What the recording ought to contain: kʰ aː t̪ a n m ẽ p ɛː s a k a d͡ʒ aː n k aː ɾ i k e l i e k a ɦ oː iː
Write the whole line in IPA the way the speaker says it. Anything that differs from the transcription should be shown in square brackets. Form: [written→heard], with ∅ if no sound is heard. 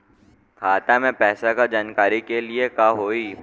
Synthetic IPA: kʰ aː t̪ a [n→∅] m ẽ p ɛː s a k a d͡ʒ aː n k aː ɾ i k e l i e k a ɦ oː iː